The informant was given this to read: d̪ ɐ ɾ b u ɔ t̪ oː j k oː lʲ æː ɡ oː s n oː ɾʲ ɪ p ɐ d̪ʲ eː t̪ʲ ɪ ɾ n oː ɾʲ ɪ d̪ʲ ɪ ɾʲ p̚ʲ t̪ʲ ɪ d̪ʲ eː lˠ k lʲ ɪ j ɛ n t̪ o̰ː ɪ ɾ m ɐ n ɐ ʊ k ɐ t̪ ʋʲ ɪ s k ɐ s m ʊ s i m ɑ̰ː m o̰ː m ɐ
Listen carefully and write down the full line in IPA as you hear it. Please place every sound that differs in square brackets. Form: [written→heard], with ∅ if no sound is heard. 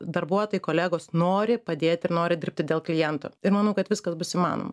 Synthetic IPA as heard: d̪ ɐ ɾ b u ɔ t̪ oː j k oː lʲ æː ɡ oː s n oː ɾʲ ɪ p ɐ d̪ʲ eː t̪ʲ ɪ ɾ n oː ɾʲ ɪ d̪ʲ ɪ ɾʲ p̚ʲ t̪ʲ ɪ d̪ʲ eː lˠ k lʲ ɪ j ɛ n t̪ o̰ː ɪ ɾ m ɐ n ɐ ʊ k ɐ t̪ ʋʲ ɪ s k ɐ s [m→b] ʊ s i m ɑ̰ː [m→n] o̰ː m ɐ

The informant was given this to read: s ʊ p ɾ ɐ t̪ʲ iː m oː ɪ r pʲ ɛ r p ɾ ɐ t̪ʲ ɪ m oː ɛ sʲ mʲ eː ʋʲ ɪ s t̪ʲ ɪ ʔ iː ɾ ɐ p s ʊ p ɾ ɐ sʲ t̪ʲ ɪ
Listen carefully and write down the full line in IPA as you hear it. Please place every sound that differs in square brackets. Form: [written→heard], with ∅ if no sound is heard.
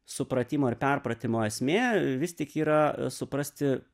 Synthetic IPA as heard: s ʊ p ɾ ɐ t̪ʲ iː m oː ɪ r pʲ ɛ r p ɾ ɐ t̪ʲ ɪ m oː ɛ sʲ mʲ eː ʋʲ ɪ s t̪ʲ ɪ [ʔ→k] iː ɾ ɐ [p→∅] s ʊ p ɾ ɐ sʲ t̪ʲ ɪ

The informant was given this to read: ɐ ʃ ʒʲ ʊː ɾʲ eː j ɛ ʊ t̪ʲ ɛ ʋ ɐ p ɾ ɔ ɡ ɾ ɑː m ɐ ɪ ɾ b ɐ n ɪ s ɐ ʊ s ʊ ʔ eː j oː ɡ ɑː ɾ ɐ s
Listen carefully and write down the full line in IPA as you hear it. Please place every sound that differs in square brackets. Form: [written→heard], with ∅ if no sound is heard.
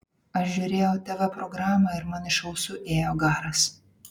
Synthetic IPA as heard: ɐ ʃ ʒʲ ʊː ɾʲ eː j ɛ ʊ t̪ʲ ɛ ʋ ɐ p ɾ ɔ ɡ ɾ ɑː m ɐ ɪ ɾ [b→m] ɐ n ɪ [s→ʃ] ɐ ʊ s ʊ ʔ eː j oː ɡ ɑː ɾ ɐ s

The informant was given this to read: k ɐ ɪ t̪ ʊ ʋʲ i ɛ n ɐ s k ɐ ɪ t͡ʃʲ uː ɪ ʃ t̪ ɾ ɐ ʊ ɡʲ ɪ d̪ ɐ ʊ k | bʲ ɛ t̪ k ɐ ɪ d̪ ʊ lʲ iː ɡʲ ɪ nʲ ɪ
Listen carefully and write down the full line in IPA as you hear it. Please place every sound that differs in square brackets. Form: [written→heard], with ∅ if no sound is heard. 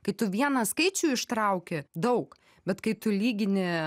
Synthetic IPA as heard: k ɐ ɪ t̪ ʊ ʋʲ i ɛ n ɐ s k ɐ ɪ t͡ʃʲ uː ɪ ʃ t̪ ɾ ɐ ʊ [ɡʲ→kʲ] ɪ d̪ ɐ ʊ k | bʲ ɛ t̪ k ɐ ɪ [d̪→t̪] ʊ lʲ iː ɡʲ ɪ nʲ ɪ

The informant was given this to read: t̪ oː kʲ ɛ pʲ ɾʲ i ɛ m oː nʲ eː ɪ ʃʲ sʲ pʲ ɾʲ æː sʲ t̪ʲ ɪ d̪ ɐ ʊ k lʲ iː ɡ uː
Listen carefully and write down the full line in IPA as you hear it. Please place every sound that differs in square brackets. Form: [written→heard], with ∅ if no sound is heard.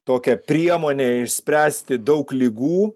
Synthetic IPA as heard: t̪ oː kʲ ɛ pʲ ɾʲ i ɛ m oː nʲ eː ɪ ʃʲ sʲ pʲ ɾʲ æː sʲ t̪ʲ ɪ d̪ ɐ ʊ k lʲ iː ɡ uː

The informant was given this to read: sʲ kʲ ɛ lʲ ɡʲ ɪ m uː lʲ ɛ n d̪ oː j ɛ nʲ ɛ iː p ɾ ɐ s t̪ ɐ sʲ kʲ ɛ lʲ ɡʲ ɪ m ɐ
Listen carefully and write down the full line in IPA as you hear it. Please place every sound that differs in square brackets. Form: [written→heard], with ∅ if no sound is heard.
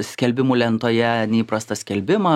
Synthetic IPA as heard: sʲ kʲ ɛ lʲ [ɡʲ→bʲ] ɪ m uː lʲ ɛ n [d̪→t̪] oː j ɛ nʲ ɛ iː p ɾ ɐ s t̪ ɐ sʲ kʲ ɛ lʲ [ɡʲ→bʲ] ɪ m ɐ

